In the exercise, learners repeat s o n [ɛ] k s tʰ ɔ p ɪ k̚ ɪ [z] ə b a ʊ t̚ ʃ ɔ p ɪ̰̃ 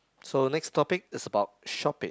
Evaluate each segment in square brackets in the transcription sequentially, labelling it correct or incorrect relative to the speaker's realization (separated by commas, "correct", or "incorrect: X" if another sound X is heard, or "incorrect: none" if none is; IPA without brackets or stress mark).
correct, incorrect: s